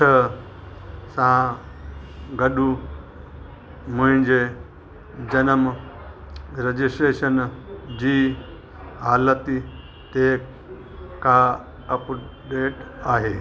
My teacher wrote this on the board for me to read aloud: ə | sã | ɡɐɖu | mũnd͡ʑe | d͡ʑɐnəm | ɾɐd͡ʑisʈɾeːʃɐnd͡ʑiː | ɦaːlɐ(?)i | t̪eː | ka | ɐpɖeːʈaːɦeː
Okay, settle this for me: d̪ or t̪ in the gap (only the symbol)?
t̪